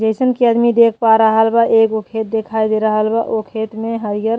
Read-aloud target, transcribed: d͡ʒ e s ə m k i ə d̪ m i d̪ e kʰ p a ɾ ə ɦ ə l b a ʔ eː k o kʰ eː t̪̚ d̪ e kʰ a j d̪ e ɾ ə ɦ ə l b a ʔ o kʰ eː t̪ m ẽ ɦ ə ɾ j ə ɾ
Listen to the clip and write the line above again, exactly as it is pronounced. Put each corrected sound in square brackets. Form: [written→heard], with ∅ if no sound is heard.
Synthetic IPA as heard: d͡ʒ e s ə [m→n] k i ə d̪ m i d̪ e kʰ p a ɾ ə ɦ ə l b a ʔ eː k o kʰ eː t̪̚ d̪ e kʰ a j d̪ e ɾ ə ɦ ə l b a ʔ o kʰ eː t̪ m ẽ ɦ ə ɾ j ə ɾ

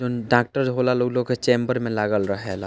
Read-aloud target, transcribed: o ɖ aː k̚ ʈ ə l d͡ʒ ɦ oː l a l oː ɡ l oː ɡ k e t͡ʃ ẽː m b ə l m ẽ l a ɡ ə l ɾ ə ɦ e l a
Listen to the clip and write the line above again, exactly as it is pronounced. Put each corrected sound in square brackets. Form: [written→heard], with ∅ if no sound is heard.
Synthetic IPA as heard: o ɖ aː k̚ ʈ ə [l→ɾ] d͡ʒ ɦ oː l a l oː ɡ l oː ɡ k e t͡ʃ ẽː m b ə [l→ɾ] m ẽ l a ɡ ə l ɾ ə ɦ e l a

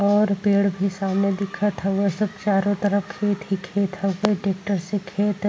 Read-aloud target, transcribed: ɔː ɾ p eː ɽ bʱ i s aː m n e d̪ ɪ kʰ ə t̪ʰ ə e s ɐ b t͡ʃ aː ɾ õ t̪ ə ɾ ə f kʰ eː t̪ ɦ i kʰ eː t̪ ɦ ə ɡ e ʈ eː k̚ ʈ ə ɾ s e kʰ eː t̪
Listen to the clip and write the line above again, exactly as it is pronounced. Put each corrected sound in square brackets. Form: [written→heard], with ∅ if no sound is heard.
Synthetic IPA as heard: ɔː ɾ p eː ɽ bʱ i s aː m n e d̪ ɪ kʰ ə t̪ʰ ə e s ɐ b t͡ʃ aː ɾ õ t̪ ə ɾ ə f kʰ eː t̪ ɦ i kʰ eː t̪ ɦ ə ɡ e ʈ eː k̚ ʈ ə ɾ s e kʰ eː t̪

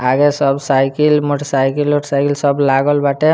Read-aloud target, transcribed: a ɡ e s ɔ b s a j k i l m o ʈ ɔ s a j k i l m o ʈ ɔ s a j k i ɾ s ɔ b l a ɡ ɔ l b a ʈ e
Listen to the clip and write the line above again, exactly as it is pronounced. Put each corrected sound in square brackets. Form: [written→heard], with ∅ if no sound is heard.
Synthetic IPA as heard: a ɡ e s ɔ b s a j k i l m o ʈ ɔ s a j k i l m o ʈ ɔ s a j k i [ɾ→l] s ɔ b l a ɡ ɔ l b a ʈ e

